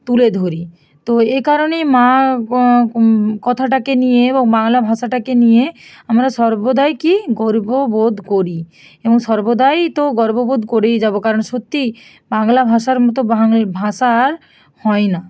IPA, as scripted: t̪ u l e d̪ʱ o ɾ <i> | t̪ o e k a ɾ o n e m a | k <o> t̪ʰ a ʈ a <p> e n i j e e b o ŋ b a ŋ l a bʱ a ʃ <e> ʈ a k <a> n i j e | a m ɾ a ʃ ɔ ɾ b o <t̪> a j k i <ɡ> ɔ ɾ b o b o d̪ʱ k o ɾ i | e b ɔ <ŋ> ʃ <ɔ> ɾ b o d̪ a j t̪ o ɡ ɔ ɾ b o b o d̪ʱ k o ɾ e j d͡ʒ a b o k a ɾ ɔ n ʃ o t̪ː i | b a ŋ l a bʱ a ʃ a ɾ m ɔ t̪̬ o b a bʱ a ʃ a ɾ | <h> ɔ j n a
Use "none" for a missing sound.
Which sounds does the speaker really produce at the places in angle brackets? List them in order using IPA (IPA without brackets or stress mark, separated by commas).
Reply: i, ɔ, k, a, e, d̪, ɡ, ŋ, ɔ, h